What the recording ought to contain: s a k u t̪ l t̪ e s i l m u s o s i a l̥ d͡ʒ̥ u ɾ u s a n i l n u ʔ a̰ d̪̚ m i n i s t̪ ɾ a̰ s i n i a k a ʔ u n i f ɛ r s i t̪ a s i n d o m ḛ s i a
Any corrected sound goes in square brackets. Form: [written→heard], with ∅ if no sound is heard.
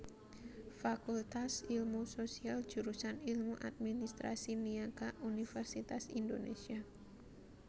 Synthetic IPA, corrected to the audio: [s→f] a k u [t̪→∅] l t̪ [e→a] s i l m u s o s i a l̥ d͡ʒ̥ u ɾ u s a n i l [n→m] u ʔ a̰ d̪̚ m i n i s t̪ ɾ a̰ s i n i a k a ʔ u n i f ɛ r s i t̪ a s i n d o [m→n] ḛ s i a

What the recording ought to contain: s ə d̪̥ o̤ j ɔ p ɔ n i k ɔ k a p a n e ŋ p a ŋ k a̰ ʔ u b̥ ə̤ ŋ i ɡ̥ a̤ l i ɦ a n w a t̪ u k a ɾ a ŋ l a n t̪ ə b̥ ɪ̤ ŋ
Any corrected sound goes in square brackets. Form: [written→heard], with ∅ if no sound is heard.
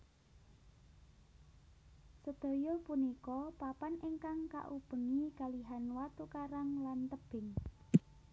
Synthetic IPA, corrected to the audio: s ə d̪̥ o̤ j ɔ p [ɔ→u] n i k ɔ [k→p] a p a n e ŋ [p→k] a ŋ k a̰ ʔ u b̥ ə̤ ŋ i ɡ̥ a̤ l i ɦ a n w a t̪ u k a ɾ a ŋ l a n t̪ ə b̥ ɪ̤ ŋ

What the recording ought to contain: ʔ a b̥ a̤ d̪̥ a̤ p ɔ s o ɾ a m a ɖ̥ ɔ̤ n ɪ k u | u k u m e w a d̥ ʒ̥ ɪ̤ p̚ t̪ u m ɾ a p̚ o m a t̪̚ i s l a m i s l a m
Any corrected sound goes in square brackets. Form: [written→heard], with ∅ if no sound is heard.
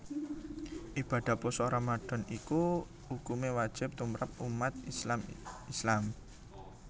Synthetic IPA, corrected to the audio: ʔ [a→i] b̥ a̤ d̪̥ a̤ p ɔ s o ɾ a m a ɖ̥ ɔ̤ n [ɪ→i] k u | u k u m e w a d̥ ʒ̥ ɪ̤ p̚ t̪ u m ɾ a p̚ [o→u] m a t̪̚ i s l a m i s l a m

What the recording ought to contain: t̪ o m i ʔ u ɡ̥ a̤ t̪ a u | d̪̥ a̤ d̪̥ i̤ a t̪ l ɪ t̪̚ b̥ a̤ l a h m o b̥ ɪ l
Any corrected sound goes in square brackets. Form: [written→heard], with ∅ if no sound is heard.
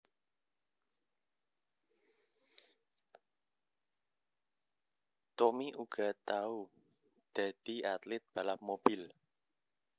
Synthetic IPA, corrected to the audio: t̪ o m i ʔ u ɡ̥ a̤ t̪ a u | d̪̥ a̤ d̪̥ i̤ a t̪ l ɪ t̪̚ b̥ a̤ l a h m o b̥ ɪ l

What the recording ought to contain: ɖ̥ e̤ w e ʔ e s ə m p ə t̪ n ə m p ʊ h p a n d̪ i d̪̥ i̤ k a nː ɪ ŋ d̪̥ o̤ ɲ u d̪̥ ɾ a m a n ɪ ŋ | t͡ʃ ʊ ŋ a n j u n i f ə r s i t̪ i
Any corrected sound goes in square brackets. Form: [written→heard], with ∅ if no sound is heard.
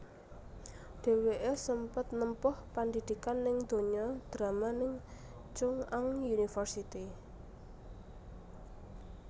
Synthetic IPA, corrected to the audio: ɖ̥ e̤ w e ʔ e s ə m p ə t̪ n ə m p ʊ h p a n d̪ i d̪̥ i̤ k a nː ɪ ŋ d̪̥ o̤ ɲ [u→ɔ] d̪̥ ɾ a m a n ɪ ŋ | t͡ʃ ʊ ŋ a [n→ŋ] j u n i f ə r s i t̪ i

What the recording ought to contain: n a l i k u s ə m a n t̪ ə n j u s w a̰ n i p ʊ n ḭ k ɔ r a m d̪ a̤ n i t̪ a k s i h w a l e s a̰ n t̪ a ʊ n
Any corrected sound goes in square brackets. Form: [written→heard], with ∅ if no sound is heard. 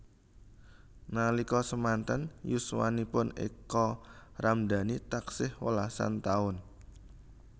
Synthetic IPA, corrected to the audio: n a l i k [u→ɔ] s ə m a n t̪ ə n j u s w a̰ n i p ʊ n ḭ k ɔ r a m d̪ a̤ n i t̪ a k s [i→ɪ] h w [a→ə] l [e→a] s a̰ n t̪ a ʊ n

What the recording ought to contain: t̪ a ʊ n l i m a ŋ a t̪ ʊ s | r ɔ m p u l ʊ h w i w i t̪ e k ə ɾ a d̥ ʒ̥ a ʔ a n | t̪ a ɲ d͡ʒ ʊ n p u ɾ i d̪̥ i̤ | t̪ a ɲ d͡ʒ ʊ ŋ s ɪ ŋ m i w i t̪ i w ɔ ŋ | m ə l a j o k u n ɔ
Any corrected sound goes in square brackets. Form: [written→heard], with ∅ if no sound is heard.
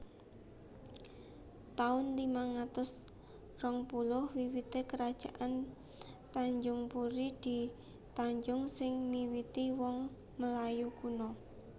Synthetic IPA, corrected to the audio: t̪ a ʊ n l i m a ŋ a t̪ ʊ s | r ɔ [m→ŋ] p u l ʊ h w i w i t̪ e k ə ɾ a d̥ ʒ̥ a ʔ a n | t̪ a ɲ d͡ʒ ʊ [n→ŋ] p u ɾ i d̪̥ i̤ | t̪ a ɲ d͡ʒ ʊ ŋ s ɪ ŋ m i w i t̪ i w ɔ ŋ | m ə l a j [o→u] k u n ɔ

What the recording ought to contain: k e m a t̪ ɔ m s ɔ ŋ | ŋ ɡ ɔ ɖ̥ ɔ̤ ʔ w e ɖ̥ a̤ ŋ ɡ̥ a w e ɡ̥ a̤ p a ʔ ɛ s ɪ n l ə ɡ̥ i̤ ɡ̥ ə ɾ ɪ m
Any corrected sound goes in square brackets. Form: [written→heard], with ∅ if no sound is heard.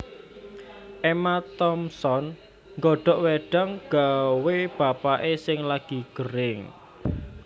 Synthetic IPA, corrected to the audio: [k→ʔ] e m a t̪ ɔ m s ɔ [ŋ→n] | ŋ ɡ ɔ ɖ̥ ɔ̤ ʔ w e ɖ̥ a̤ ŋ ɡ̥ a w e [ɡ̥→b̥] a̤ p a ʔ [ɛ→e] s ɪ [n→ŋ] l [ə→a] ɡ̥ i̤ ɡ̥ ə ɾ ɪ [m→ŋ]

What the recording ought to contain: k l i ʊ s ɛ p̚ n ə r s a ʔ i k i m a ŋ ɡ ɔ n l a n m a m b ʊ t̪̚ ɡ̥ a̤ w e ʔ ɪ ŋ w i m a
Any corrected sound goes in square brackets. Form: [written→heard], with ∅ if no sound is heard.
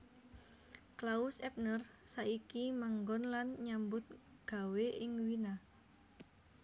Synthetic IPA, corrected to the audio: k l [i→a] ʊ s ɛ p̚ n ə r s a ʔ i k i m a ŋ ɡ ɔ n l a n [m→ɲ] a m b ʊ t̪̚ ɡ̥ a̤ w e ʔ ɪ ŋ w i [m→n] a

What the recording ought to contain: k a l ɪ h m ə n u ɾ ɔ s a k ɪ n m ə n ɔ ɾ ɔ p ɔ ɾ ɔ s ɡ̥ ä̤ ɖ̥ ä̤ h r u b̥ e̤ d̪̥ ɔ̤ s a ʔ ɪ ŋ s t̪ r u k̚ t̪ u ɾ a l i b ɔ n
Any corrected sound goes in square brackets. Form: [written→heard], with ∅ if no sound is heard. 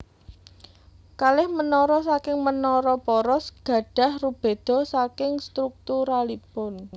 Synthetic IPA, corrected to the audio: k a l ɪ h m ə n [u→ɔ] ɾ ɔ s a k ɪ [n→ŋ] m ə n ɔ ɾ ɔ p ɔ ɾ ɔ s ɡ̥ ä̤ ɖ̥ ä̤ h r u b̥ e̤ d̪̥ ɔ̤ s a [ʔ→k] ɪ ŋ s t̪ [r→ɾ] u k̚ t̪ u ɾ a l i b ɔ n

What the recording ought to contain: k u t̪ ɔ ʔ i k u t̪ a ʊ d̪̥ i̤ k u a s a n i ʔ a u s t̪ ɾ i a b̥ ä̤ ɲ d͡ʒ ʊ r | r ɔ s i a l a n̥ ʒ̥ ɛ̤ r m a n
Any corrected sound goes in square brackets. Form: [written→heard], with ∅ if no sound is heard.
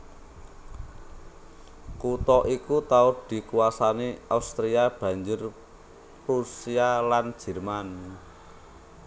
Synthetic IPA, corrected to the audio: k u t̪ ɔ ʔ i k u t̪ a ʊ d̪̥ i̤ k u a s a n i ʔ a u s t̪ ɾ i a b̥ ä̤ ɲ d͡ʒ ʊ r | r [ɔ→u] s i a l a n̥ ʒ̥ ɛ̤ r m a n

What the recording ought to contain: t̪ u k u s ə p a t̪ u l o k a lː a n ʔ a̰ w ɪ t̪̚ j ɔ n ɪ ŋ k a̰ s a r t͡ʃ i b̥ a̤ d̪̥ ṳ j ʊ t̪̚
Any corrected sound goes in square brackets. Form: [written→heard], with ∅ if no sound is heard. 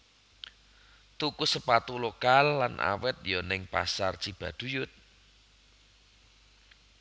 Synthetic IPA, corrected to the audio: t̪ u k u s ə p a t̪ u l o k a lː a n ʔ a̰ w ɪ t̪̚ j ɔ n ɪ ŋ [k→p] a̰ s a r t͡ʃ i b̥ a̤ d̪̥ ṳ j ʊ t̪̚

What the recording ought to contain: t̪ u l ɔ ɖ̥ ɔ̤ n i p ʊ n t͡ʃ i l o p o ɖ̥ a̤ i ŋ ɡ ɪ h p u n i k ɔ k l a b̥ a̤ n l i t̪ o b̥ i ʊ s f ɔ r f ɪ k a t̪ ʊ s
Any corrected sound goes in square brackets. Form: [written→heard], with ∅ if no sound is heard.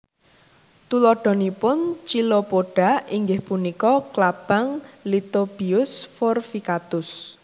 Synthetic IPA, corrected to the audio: t̪ u l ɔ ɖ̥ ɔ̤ n i p ʊ n t͡ʃ i l o p o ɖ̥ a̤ i ŋ ɡ ɪ h p u n i k ɔ k l a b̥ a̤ [n→ŋ] l i t̪ o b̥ i ʊ s f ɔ r f [ɪ→i] k a t̪ ʊ s

